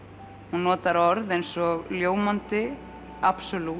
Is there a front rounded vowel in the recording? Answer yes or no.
no